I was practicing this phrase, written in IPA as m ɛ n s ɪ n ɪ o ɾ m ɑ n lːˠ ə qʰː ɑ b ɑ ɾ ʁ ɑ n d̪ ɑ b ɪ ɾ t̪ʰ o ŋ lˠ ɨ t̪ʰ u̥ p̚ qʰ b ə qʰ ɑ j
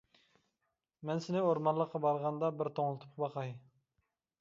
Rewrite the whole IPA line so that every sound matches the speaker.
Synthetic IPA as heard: m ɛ n s ɪ n ɪ o ɾ m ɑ n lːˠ ə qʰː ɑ b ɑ ɾ ʁ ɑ n d̪ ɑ b ɪ ɾ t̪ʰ o ŋ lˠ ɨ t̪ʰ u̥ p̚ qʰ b ɑ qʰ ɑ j